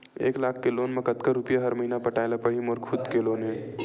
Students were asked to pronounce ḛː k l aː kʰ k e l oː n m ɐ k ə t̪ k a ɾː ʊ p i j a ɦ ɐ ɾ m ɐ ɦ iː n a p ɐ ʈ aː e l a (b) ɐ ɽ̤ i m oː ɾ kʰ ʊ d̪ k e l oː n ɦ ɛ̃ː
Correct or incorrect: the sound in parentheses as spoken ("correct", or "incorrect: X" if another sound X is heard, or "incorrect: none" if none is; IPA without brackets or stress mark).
incorrect: p